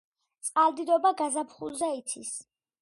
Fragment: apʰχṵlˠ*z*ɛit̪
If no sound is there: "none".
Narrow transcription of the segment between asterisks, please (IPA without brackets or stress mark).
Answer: z